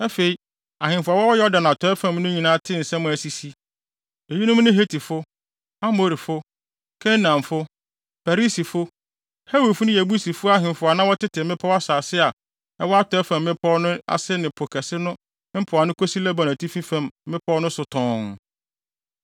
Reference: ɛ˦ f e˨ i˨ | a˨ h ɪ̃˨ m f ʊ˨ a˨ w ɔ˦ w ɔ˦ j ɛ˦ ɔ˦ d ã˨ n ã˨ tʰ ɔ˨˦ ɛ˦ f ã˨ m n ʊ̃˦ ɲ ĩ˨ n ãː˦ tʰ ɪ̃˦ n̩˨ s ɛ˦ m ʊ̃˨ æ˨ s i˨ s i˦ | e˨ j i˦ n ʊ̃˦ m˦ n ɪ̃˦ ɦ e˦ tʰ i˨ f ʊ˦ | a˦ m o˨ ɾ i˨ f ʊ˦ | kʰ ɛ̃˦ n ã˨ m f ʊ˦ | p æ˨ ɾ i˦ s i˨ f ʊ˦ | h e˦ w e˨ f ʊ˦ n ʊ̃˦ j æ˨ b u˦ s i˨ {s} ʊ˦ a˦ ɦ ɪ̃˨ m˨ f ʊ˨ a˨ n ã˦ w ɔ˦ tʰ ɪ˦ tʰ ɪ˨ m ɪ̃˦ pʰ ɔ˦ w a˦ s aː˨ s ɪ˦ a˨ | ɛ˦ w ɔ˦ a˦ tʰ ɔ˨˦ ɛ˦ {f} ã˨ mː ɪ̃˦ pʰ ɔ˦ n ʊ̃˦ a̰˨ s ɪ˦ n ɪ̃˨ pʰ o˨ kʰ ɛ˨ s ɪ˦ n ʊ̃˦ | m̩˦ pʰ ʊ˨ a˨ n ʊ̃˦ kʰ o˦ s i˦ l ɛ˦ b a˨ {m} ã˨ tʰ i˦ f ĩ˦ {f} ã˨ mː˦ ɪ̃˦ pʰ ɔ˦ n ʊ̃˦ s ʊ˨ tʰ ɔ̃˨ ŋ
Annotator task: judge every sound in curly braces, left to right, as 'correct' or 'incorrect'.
incorrect: f, correct, incorrect: n, correct

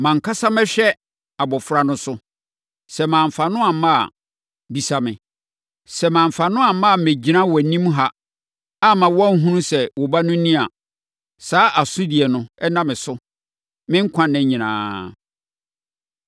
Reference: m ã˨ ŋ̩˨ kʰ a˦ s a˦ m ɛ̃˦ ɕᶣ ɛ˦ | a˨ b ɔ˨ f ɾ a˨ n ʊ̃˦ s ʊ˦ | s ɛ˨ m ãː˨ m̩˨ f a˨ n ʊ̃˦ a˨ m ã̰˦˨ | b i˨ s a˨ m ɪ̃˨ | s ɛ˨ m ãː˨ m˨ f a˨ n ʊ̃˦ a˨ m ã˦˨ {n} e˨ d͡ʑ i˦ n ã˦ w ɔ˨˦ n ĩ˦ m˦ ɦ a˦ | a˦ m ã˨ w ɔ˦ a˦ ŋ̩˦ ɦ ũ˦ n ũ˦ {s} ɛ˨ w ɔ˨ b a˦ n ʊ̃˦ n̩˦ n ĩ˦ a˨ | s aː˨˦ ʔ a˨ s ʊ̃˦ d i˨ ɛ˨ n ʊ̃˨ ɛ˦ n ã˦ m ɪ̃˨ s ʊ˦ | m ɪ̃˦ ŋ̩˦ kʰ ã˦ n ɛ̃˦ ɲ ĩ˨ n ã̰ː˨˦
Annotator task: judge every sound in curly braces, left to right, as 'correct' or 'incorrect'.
incorrect: m, correct

